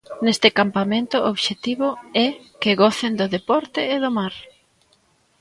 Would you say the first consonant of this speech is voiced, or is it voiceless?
voiced